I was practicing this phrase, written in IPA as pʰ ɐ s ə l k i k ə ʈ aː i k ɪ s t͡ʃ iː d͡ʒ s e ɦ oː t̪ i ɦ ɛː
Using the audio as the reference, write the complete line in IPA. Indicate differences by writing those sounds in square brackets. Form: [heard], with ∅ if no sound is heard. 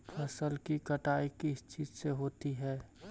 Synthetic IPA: pʰ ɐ s ə l k i k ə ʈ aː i k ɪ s t͡ʃ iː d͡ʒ s e ɦ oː t̪ i ɦ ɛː

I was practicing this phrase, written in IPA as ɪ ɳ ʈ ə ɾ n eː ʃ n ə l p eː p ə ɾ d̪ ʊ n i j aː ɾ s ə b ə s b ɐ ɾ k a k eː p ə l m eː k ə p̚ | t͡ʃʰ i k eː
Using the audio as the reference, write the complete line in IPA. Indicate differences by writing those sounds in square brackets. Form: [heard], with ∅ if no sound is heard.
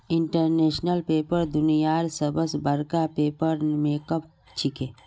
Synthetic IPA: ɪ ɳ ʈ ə ɾ n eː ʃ n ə l p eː p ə ɾ d̪ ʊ n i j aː ɾ s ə b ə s b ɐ ɾ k a [p] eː p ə [ɾ] m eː k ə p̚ | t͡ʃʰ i k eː

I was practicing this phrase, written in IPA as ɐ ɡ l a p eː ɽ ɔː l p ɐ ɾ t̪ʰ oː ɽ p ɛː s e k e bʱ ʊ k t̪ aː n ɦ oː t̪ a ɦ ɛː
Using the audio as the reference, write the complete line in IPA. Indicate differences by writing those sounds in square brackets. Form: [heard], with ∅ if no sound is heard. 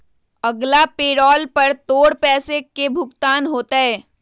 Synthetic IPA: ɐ ɡ l a p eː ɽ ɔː l p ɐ ɾ [t̪] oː ɽ p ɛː s e k e bʱ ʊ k t̪ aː n ɦ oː t̪ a ɦ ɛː

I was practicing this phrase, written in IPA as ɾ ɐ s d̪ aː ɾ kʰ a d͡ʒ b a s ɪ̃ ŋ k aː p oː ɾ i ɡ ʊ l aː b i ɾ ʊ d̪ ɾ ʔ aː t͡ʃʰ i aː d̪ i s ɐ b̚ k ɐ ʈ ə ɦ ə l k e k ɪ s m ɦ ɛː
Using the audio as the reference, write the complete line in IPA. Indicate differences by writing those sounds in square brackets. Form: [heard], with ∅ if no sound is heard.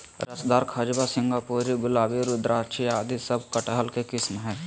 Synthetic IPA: ɾ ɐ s d̪ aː ɾ kʰ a d͡ʒ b a s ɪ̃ ŋ [ɡ] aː p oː ɾ i ɡ ʊ l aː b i ɾ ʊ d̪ ɾ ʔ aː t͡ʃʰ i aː d̪ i s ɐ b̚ k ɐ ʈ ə ɦ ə l k e k ɪ s m ɦ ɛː

